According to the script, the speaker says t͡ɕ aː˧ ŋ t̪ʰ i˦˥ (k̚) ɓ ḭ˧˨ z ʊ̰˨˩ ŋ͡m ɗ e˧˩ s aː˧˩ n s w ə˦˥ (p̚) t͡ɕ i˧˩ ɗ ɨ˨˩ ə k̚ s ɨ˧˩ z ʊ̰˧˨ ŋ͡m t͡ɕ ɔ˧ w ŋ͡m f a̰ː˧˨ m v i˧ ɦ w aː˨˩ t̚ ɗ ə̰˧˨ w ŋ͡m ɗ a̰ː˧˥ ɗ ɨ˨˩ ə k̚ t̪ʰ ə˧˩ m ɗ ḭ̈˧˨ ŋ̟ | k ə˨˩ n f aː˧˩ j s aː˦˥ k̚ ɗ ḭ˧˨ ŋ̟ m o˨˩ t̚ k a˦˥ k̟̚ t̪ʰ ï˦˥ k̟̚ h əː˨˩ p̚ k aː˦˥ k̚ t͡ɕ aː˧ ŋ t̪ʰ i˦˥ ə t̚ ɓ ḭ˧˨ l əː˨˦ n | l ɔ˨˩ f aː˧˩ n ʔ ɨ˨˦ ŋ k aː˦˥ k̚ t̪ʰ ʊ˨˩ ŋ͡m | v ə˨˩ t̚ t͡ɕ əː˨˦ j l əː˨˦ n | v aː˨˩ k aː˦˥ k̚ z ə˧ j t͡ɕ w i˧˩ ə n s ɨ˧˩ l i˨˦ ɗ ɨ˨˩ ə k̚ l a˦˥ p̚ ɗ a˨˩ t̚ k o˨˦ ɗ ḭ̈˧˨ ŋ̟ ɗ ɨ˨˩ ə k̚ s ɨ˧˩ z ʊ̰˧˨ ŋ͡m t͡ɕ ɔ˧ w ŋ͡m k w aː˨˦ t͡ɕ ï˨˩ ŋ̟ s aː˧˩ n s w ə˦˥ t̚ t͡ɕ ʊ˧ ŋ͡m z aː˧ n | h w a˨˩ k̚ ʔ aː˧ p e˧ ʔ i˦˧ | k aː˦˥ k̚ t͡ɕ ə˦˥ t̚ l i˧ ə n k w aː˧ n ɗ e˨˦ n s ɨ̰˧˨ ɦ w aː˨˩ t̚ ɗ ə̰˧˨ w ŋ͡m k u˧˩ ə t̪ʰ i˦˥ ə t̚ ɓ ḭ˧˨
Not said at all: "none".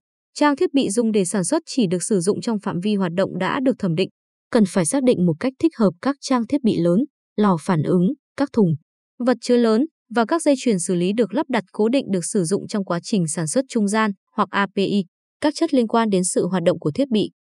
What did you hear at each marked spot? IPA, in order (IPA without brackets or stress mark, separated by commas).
t̚, t̚